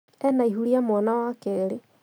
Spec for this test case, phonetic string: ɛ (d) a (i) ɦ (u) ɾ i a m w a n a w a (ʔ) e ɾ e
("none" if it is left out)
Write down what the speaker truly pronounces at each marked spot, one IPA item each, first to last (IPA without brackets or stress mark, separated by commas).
n, i, u, k